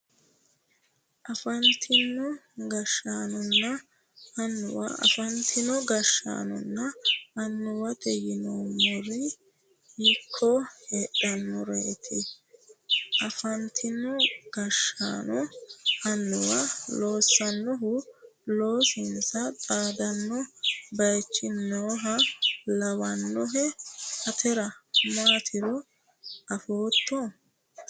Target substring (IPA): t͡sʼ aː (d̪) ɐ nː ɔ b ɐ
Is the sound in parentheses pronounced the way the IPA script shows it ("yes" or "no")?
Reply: yes